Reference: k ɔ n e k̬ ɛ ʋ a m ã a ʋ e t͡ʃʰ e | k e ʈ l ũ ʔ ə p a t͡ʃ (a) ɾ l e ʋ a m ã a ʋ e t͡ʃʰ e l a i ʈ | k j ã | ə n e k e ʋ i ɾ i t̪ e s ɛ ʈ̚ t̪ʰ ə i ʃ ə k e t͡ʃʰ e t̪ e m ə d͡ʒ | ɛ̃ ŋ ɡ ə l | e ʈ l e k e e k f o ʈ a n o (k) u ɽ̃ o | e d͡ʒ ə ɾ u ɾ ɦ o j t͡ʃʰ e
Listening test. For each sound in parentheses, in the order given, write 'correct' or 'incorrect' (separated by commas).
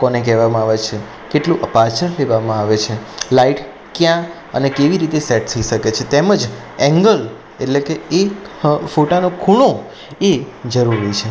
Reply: incorrect, incorrect